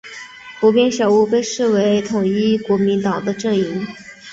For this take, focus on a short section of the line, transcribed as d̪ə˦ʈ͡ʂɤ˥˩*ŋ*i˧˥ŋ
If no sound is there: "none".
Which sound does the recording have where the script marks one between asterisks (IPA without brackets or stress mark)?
ŋ